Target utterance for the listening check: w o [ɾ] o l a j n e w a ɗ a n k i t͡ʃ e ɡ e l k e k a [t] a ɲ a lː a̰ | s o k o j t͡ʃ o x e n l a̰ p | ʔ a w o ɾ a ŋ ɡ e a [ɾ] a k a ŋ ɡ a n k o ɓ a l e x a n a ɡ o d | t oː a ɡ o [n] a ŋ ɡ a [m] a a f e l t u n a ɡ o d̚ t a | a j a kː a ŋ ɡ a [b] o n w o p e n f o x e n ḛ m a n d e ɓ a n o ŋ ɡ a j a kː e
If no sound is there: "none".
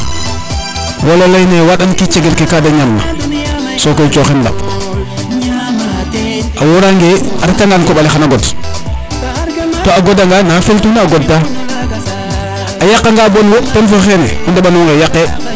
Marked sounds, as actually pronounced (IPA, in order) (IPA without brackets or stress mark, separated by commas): l, d, ɾ, d, n, b